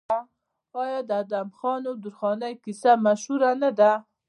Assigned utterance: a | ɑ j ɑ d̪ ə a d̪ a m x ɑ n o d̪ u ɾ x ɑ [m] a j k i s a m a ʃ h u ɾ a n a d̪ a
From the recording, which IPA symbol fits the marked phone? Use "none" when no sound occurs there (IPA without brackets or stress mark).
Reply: n